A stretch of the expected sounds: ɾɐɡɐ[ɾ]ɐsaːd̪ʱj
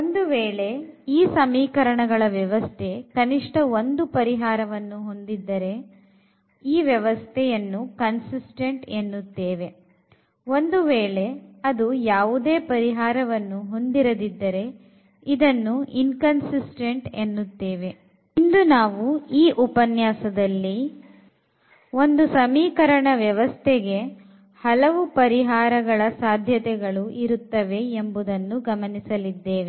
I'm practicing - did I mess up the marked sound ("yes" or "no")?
yes